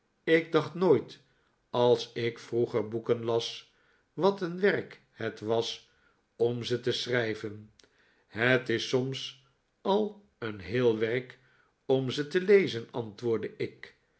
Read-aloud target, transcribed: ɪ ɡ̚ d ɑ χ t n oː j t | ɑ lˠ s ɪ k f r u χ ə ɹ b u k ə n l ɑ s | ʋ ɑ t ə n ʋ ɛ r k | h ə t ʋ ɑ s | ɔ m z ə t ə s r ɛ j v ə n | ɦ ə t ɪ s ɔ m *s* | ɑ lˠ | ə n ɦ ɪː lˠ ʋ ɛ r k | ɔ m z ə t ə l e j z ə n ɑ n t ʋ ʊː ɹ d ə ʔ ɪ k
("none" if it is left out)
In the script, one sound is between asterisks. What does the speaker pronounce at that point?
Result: s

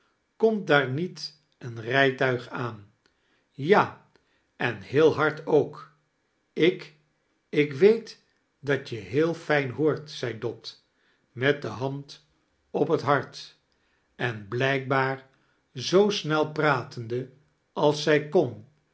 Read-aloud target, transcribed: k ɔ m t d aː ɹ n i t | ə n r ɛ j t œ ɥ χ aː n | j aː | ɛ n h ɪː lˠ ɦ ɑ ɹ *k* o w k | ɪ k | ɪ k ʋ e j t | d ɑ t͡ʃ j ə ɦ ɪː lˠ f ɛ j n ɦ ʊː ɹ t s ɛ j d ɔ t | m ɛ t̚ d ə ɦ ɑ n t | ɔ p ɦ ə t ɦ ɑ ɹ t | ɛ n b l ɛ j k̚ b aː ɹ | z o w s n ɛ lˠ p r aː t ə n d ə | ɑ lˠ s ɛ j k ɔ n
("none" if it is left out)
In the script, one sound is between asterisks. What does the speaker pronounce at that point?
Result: t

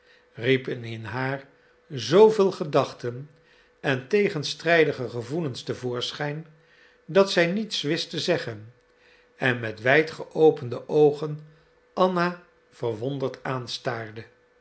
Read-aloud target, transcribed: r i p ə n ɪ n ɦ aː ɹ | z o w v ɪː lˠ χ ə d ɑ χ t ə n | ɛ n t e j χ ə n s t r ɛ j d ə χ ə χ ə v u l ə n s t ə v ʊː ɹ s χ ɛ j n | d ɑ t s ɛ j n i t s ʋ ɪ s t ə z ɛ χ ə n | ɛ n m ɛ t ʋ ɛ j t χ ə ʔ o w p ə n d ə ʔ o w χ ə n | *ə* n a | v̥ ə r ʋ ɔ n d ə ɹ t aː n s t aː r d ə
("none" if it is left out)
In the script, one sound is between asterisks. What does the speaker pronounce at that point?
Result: ɑ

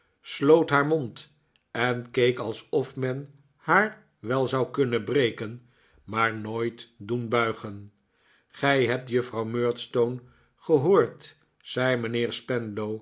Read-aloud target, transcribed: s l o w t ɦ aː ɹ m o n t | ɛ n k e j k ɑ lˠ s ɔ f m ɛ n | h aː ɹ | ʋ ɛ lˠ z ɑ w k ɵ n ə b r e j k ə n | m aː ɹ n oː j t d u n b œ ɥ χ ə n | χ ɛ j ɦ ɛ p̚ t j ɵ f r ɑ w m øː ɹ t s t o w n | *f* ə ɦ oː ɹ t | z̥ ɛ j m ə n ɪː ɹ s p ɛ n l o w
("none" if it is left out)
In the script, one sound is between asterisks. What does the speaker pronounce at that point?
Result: χ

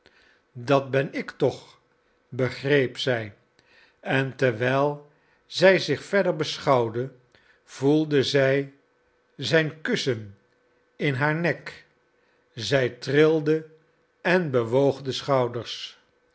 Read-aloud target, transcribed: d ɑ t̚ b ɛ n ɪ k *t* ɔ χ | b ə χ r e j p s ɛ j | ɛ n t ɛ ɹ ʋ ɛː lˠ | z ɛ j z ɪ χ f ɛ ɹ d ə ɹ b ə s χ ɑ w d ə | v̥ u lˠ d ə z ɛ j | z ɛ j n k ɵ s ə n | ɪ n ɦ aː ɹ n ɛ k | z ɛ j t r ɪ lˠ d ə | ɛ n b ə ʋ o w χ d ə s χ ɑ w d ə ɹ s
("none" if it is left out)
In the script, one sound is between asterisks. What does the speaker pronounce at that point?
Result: t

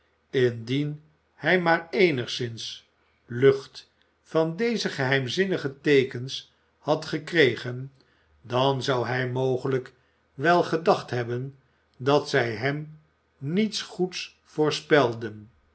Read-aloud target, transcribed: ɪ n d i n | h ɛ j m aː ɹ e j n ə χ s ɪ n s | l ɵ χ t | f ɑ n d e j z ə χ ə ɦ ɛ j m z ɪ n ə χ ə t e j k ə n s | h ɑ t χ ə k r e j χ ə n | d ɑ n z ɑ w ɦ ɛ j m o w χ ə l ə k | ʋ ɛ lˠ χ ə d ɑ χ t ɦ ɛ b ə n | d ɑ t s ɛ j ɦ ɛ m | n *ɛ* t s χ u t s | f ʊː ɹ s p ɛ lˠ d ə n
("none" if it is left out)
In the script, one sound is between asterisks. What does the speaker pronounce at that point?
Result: i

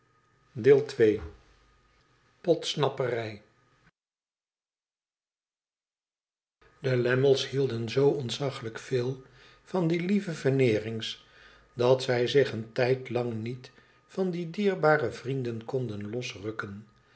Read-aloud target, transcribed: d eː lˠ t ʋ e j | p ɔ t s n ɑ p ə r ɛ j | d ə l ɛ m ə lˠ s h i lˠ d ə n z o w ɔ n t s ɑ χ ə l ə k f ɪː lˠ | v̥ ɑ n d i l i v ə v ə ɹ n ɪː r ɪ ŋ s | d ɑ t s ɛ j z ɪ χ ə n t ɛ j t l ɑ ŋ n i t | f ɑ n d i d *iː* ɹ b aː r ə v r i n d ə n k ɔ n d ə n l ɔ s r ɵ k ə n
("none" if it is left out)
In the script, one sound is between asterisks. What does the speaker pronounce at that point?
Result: iː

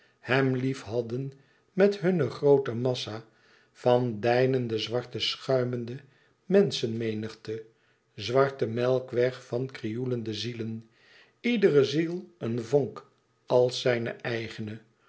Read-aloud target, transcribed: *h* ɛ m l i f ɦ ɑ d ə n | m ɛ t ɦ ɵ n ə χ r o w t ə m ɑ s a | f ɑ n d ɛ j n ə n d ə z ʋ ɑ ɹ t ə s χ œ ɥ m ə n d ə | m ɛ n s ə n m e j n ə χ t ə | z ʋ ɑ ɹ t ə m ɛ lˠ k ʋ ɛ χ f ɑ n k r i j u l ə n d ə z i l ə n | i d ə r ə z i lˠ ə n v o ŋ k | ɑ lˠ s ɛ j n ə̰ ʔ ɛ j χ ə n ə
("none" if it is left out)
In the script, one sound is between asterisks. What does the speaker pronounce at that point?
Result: h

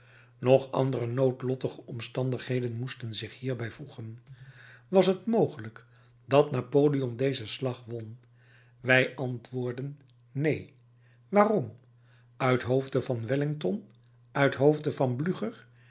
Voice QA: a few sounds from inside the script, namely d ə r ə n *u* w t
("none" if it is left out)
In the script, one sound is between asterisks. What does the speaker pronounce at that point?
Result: o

